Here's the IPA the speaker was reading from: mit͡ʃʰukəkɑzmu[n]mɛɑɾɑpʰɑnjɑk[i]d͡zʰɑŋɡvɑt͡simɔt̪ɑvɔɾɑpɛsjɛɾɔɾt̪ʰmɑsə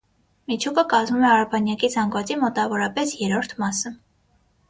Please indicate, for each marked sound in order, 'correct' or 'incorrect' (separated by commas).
incorrect, correct